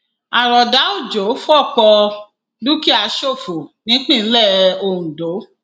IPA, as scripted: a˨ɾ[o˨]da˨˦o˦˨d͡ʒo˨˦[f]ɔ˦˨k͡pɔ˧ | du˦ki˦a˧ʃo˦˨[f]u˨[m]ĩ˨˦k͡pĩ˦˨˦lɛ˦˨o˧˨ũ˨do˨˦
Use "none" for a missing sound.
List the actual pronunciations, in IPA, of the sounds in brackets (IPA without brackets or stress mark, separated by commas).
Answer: ɔ˨, f, f, n